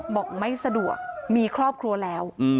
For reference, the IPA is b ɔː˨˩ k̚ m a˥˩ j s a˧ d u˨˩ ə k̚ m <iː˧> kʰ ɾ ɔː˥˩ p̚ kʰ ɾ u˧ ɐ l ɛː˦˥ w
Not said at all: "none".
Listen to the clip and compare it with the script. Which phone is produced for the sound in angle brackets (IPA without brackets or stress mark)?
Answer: iː˧